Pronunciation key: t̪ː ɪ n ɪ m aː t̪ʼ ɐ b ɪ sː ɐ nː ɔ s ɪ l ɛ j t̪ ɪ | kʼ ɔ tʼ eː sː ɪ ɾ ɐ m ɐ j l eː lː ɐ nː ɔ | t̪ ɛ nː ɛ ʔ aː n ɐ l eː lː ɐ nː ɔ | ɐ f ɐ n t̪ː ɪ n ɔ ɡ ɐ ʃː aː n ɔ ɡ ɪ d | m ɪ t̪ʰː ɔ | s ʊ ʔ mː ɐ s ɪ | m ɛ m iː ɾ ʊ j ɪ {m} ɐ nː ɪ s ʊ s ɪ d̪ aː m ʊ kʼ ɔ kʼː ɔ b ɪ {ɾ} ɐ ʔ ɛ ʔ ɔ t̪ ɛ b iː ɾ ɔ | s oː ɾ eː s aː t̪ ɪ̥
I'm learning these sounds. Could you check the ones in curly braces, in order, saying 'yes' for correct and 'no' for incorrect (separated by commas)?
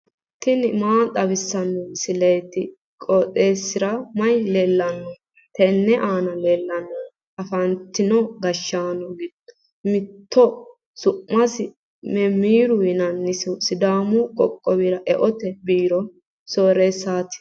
no, yes